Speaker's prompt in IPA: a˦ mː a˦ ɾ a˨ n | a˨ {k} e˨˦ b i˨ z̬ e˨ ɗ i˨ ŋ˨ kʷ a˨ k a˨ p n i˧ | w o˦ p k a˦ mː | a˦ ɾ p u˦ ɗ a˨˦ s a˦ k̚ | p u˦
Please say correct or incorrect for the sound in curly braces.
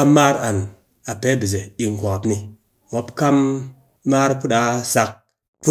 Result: incorrect